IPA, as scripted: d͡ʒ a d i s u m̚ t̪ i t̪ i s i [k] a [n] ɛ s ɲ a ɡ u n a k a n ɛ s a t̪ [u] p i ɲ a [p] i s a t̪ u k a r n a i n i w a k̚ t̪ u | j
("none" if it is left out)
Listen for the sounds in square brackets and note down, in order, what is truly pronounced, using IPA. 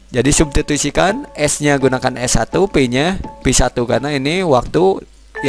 k, n, u, p

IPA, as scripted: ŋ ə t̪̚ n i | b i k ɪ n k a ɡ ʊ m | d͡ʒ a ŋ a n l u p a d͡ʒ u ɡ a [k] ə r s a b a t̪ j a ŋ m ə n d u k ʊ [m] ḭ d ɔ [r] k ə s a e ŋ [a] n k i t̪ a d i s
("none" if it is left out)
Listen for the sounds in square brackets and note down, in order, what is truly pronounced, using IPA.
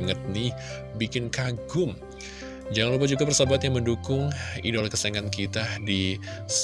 p, ŋ, l, a

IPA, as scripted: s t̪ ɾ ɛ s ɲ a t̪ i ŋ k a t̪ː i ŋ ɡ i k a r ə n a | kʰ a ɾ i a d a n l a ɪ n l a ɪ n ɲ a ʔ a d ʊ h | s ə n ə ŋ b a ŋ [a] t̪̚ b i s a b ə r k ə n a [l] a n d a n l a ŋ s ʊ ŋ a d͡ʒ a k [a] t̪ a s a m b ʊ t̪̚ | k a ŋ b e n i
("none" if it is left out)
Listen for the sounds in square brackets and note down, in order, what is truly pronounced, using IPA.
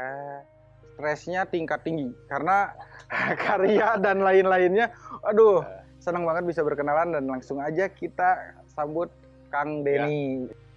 ə, l, i

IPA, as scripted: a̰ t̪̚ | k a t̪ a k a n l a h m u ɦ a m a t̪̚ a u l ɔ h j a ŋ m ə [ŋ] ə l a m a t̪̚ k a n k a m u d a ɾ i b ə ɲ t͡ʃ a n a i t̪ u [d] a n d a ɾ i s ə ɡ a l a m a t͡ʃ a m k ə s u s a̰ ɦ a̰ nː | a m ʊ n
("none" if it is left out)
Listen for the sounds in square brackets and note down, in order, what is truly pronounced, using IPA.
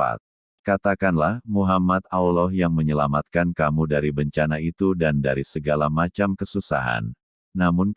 ɲ, d

